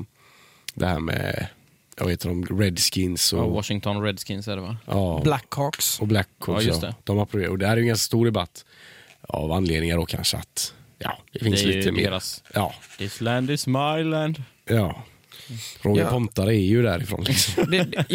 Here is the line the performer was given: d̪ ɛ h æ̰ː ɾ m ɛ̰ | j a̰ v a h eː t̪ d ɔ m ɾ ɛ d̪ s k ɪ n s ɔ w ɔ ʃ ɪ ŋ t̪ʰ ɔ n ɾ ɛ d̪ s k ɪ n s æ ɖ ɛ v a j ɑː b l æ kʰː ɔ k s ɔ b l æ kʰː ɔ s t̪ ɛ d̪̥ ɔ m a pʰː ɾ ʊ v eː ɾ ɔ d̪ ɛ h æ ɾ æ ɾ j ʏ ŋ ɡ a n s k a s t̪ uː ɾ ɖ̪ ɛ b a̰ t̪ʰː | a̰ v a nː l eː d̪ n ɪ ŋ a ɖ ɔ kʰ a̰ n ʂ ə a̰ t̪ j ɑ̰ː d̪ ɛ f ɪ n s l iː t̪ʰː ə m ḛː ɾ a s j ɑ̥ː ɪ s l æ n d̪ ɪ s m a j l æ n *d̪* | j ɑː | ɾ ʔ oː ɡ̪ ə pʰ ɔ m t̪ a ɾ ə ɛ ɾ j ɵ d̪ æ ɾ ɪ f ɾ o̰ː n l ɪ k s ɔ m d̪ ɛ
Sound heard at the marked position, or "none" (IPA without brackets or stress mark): d̪